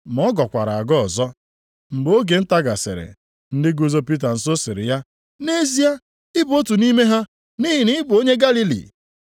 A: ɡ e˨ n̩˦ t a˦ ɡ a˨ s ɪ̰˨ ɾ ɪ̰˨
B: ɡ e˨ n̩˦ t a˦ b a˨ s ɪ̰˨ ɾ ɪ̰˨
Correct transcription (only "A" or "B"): A